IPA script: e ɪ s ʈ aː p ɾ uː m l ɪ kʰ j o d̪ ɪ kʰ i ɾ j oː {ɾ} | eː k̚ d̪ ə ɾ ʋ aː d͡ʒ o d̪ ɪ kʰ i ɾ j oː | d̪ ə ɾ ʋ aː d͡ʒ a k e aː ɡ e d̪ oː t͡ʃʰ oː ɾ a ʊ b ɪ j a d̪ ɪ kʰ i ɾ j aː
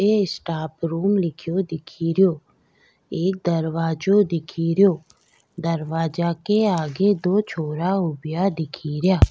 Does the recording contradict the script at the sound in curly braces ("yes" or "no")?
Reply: yes